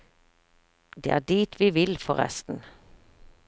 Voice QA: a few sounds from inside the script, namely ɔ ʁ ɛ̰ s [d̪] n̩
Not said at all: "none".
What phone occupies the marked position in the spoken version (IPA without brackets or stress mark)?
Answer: t̪